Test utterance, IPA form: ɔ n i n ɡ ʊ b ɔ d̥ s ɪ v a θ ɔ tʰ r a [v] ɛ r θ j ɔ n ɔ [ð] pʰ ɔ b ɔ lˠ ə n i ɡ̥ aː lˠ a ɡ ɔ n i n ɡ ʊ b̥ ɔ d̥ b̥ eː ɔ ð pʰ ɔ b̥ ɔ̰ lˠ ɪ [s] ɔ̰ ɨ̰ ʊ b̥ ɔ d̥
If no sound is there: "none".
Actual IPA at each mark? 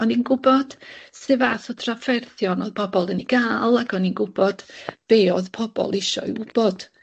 f, ð, ʃ

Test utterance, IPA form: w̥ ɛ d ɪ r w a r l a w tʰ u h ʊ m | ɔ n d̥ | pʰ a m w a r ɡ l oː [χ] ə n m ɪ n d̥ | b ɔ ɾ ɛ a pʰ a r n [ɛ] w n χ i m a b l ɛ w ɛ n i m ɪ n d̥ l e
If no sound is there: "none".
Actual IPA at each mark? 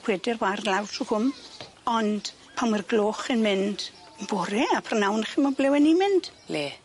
χ, a

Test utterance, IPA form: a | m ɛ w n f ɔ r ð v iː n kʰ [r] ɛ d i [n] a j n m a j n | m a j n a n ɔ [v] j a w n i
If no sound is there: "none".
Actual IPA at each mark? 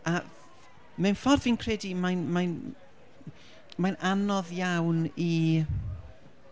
r, m, ð

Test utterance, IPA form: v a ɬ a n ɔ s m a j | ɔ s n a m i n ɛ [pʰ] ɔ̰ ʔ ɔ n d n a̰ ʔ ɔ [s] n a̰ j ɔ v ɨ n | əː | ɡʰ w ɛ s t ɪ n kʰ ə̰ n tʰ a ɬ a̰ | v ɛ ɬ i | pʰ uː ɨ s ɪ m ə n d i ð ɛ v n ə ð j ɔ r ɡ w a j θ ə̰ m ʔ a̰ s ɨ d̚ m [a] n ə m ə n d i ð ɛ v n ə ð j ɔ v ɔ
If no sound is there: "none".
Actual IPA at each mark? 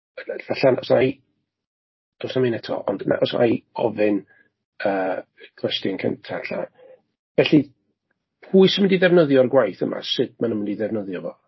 tʰ, s, a

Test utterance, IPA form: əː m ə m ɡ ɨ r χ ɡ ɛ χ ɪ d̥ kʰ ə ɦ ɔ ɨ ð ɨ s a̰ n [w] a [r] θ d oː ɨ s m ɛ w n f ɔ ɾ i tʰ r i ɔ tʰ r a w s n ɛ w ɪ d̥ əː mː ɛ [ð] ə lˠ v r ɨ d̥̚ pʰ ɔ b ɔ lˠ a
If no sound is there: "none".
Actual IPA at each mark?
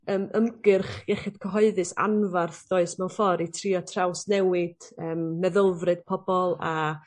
v, r, ð

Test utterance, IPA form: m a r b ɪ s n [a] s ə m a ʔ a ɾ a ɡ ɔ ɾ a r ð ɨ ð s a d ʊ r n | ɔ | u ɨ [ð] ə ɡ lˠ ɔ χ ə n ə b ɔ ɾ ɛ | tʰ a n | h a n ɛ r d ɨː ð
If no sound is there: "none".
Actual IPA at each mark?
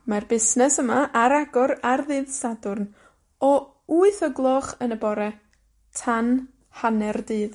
ɛ, θ

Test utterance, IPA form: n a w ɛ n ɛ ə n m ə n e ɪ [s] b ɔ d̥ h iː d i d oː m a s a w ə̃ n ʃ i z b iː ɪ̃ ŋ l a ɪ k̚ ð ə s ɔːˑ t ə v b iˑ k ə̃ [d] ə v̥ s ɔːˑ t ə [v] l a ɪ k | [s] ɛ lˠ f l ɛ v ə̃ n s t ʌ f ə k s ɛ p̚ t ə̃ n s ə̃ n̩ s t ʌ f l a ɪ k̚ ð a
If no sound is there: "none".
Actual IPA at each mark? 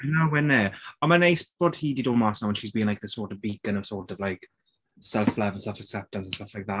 s, n, v, s

